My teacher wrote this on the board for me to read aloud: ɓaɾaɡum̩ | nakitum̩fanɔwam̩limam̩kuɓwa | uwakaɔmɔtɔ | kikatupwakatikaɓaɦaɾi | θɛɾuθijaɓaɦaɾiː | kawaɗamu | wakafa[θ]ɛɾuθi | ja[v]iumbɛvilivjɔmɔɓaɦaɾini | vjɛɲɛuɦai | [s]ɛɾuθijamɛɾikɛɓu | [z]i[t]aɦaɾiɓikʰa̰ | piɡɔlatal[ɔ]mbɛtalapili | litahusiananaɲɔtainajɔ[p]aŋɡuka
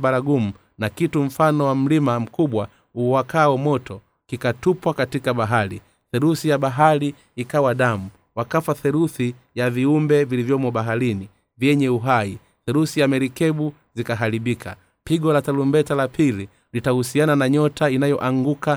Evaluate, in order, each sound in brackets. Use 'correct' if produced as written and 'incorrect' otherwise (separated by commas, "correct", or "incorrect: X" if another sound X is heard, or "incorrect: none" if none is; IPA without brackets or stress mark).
correct, correct, incorrect: θ, correct, incorrect: k, incorrect: u, incorrect: ʔ